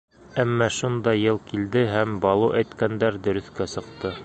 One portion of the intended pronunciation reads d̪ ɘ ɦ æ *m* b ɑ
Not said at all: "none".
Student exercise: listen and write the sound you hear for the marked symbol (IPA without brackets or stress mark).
m